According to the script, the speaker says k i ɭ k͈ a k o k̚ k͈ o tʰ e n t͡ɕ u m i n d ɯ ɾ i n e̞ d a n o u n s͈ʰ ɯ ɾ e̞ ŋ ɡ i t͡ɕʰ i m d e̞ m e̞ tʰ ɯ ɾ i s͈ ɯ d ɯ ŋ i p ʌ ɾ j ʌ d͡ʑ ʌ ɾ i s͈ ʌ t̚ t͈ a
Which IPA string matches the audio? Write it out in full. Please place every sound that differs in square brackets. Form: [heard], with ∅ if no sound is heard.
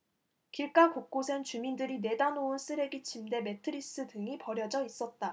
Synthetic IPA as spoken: k i ɭ k͈ a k o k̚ k͈ o [sʰ] e n t͡ɕ u m i n d ɯ ɾ i n e̞ d a n o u n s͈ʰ ɯ ɾ e̞ [∅] ɡ i t͡ɕʰ i m d e̞ m e̞ tʰ ɯ ɾ i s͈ ɯ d ɯ ŋ i p ʌ ɾ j ʌ d͡ʑ ʌ [∅] i s͈ ʌ t̚ t͈ a